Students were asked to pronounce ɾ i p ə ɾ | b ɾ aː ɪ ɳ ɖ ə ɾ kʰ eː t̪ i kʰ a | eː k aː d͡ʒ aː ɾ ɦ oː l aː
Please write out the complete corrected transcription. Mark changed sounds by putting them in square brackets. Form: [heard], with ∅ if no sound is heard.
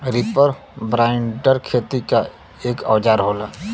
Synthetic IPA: ɾ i p ə ɾ | b ɾ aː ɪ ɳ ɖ ə ɾ kʰ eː t̪ i [k] a | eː k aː d͡ʒ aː ɾ ɦ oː l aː